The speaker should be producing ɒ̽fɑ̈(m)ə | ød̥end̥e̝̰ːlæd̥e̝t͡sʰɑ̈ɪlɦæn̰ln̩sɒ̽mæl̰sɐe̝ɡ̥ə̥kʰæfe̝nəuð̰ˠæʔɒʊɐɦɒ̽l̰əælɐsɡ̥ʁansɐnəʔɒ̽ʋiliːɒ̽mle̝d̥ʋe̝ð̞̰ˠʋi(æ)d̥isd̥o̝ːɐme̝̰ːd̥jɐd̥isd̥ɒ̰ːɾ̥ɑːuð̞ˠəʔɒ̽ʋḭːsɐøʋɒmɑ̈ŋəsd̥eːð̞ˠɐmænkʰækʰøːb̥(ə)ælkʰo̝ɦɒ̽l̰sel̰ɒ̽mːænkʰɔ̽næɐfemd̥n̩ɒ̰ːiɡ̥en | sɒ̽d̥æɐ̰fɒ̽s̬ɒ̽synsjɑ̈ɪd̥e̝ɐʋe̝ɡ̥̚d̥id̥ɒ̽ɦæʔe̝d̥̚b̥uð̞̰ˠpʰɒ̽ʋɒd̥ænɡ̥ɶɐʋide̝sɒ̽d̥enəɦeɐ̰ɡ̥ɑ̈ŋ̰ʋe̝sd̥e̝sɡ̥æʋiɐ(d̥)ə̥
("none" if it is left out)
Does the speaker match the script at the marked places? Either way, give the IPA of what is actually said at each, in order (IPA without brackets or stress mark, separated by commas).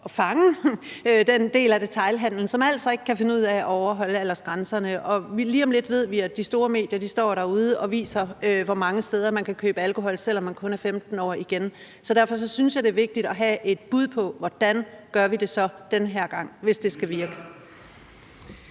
ŋ, æ, ə, ɡ̥